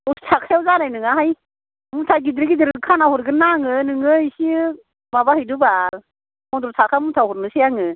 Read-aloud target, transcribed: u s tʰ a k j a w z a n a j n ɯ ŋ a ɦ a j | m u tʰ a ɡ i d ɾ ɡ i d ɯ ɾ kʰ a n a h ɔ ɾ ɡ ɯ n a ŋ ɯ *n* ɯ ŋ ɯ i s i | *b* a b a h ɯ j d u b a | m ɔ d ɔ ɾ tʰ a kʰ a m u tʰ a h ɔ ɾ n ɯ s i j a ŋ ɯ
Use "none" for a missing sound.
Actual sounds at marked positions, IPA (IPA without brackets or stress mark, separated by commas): n, m